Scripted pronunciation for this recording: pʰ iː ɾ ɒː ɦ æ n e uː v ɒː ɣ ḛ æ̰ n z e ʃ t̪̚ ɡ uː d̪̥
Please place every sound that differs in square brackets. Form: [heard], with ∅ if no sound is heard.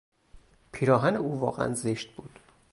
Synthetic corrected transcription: pʰ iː ɾ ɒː ɦ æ n e uː v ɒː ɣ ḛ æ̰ n z e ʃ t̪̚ [b] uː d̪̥

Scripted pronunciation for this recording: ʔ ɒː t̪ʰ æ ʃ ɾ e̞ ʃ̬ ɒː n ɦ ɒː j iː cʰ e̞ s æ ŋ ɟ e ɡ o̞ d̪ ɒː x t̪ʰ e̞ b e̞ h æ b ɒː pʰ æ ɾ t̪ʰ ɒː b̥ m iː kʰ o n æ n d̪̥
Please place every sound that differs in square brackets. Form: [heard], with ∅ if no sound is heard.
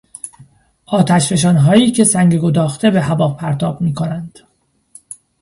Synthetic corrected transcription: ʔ ɒː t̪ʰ æ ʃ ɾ e̞ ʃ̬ ɒː n ɦ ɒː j iː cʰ e̞ s æ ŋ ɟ e ɡ o̞ d̪ ɒː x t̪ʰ e̞ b e̞ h æ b ɒː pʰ æ ɾ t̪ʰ ɒː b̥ m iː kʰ o n æ n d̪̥

